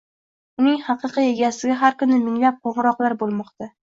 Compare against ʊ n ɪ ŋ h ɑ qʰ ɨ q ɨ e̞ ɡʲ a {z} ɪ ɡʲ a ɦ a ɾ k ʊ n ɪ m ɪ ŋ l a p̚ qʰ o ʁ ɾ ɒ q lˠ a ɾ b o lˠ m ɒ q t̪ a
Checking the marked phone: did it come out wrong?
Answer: yes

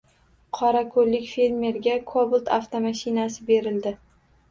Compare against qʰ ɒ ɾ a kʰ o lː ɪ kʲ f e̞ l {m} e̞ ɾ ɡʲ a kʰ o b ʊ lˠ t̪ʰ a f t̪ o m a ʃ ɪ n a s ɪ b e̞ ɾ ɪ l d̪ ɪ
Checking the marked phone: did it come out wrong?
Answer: no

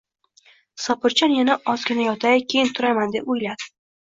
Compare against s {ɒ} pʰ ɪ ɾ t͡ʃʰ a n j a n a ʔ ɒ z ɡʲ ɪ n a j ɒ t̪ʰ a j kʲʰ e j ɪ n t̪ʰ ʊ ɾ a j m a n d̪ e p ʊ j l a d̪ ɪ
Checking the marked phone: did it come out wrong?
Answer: no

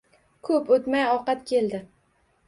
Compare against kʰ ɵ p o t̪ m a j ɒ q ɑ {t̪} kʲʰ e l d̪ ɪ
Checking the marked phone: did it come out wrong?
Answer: no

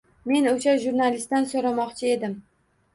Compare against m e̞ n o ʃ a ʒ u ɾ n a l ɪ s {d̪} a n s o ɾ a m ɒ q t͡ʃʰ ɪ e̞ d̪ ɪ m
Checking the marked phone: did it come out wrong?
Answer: yes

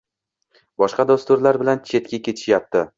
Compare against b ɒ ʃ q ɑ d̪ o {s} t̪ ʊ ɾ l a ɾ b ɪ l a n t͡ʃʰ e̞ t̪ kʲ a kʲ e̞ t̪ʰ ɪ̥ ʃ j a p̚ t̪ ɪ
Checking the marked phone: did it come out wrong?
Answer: no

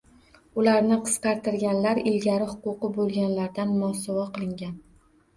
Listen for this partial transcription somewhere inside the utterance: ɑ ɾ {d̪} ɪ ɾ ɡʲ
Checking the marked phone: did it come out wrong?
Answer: yes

